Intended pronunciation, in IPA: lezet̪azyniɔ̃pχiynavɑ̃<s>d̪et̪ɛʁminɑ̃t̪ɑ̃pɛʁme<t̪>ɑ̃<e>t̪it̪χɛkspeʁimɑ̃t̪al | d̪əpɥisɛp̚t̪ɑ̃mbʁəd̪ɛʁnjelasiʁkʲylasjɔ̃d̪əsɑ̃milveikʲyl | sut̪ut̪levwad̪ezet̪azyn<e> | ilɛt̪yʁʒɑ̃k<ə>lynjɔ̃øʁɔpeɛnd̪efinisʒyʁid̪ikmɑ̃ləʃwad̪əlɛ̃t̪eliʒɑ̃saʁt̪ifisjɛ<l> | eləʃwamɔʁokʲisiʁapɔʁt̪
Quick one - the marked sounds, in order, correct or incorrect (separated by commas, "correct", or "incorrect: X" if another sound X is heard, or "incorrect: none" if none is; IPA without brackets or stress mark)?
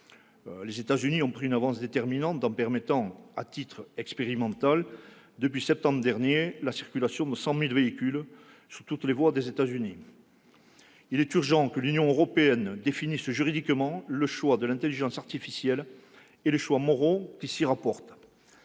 correct, correct, incorrect: a, incorrect: i, correct, correct